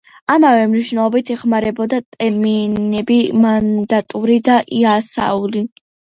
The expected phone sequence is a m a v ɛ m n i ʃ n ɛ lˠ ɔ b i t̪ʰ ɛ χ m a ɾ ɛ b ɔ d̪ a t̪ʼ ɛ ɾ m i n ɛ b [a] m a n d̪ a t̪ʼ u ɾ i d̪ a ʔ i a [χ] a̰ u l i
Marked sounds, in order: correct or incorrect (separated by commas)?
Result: incorrect, incorrect